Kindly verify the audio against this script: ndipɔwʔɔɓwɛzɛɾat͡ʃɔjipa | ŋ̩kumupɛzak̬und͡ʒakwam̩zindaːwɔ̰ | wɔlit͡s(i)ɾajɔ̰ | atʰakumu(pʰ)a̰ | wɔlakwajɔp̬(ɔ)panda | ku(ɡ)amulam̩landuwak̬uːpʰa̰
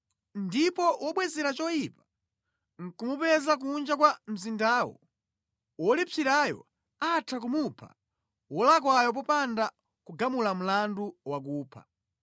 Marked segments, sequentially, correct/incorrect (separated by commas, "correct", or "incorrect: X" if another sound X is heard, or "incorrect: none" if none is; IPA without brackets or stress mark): correct, correct, correct, correct